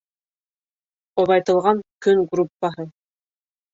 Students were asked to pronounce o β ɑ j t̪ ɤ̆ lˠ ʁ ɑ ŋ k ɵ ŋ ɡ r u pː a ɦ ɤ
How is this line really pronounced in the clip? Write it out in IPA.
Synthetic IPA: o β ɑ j t̪ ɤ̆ lˠ ʁ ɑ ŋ k ɵ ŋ ɡ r u pː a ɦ ɤ